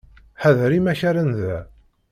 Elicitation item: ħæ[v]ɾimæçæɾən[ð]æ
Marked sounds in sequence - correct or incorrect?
incorrect: ð, correct

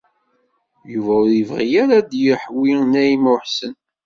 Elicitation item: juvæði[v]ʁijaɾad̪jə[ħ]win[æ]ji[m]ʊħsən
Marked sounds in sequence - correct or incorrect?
correct, correct, correct, correct

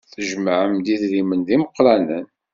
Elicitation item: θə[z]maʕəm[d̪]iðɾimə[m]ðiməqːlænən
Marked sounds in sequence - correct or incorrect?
incorrect: ʒ, correct, incorrect: n

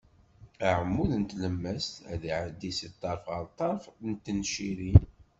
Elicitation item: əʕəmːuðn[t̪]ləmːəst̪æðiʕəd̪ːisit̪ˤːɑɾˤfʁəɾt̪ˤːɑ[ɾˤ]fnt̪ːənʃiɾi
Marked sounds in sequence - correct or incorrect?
correct, correct

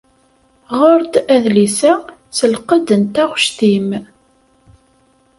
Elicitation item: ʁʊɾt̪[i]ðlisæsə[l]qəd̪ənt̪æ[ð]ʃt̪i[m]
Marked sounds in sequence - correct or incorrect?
incorrect: æ, correct, incorrect: ʁ, correct

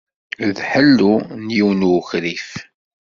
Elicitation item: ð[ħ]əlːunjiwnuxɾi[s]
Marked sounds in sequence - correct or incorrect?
correct, incorrect: f

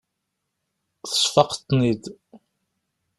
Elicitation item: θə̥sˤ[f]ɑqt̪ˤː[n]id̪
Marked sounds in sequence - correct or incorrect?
correct, correct

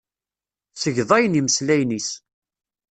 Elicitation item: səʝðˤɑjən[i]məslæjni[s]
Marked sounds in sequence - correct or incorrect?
correct, correct

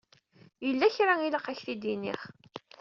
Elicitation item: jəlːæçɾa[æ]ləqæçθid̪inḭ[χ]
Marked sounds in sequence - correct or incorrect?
incorrect: i, correct

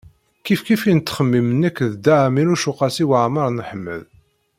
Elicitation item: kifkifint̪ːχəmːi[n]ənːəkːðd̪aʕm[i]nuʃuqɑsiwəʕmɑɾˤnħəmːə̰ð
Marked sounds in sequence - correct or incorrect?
incorrect: m, correct

